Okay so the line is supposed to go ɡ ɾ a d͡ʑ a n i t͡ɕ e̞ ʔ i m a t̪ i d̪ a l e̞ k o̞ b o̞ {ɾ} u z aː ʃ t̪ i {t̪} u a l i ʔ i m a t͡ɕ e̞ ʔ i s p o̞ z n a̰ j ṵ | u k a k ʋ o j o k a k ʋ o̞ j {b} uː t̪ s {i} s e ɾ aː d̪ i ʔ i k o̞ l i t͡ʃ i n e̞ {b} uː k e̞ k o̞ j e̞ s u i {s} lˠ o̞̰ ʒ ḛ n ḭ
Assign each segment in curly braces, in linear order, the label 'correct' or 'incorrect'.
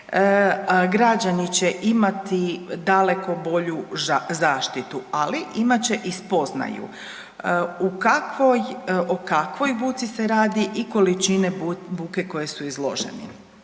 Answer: incorrect: ʎ, correct, correct, correct, correct, incorrect: z

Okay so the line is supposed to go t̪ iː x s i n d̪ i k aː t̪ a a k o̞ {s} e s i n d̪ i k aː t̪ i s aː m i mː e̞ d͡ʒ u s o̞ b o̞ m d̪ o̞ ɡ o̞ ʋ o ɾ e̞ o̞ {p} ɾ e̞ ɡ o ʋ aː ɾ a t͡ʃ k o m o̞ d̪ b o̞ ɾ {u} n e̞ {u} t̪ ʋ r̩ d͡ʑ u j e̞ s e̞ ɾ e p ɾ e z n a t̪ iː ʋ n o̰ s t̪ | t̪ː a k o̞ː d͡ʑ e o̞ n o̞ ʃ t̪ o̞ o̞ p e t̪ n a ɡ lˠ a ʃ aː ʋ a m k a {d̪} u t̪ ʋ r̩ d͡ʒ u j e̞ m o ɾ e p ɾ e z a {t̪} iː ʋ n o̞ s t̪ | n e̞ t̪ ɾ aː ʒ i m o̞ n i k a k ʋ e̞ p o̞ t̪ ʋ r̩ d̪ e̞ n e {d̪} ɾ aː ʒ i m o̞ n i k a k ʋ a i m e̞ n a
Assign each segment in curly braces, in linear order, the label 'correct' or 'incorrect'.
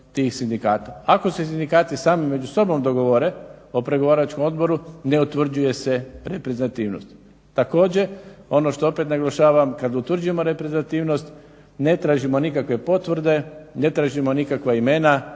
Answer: correct, correct, correct, correct, correct, correct, incorrect: t̪

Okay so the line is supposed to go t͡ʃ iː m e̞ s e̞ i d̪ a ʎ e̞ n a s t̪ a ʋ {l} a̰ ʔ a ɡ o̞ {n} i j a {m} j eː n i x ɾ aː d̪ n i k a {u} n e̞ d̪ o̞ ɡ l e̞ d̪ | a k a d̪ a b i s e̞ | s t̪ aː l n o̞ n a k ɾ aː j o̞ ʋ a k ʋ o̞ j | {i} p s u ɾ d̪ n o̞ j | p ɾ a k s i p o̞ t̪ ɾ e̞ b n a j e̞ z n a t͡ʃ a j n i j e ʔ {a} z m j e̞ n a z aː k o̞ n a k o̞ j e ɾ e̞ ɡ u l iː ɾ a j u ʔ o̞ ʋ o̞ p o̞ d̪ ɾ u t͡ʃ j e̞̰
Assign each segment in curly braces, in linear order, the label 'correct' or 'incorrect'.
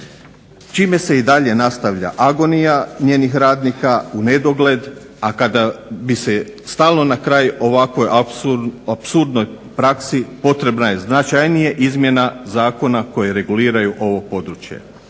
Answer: incorrect: ʎ, correct, incorrect: ɲ, correct, incorrect: a, incorrect: i

